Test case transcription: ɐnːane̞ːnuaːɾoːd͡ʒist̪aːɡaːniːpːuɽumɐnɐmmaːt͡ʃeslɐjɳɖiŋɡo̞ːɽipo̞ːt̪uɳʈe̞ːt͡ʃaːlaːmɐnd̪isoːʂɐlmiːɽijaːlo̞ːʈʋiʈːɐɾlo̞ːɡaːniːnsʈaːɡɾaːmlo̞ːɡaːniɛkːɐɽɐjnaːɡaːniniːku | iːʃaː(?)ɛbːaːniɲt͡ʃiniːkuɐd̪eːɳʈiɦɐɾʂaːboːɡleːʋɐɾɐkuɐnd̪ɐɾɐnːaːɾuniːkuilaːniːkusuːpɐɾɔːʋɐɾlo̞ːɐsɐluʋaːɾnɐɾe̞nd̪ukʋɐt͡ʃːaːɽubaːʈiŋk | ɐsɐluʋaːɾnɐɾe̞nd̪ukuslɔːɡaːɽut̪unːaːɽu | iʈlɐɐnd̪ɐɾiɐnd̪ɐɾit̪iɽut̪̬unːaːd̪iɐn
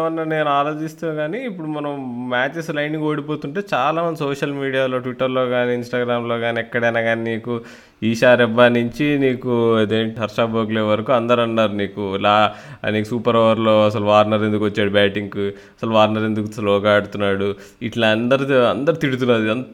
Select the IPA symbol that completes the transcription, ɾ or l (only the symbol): ɾ